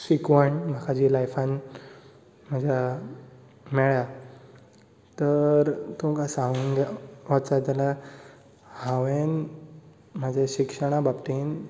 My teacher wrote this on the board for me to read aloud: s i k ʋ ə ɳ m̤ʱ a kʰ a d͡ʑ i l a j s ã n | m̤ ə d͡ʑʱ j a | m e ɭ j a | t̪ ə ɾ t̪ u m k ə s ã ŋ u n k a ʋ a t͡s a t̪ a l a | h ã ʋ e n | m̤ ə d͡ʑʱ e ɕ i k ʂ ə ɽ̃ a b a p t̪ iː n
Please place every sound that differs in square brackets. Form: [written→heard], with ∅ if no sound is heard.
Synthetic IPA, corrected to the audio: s i k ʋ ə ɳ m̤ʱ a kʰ a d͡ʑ i l a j [s→f] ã n | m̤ ə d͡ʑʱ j a | m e ɭ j a | t̪ ə ɾ t̪ u m k [ə→a] s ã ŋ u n [k→ɡ] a ʋ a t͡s a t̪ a l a | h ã ʋ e n | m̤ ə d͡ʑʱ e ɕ i k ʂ ə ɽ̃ a b a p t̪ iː n

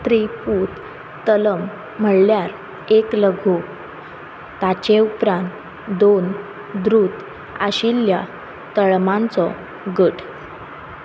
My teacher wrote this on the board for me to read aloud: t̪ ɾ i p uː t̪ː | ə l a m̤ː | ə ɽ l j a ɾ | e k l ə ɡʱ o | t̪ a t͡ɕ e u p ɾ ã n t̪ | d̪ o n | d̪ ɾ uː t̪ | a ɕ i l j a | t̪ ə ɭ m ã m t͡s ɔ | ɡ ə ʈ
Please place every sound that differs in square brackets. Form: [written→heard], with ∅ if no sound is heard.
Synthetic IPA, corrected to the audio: t̪ ɾ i p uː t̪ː | ə l [a→ə] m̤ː | ə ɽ l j a ɾ | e k l ə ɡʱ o | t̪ a t͡ɕ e u p ɾ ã n t̪ | d̪ o n | d̪ ɾ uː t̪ | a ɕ i l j a | t̪ ə ɭ m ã [m→n] t͡s ɔ | ɡ ə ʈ

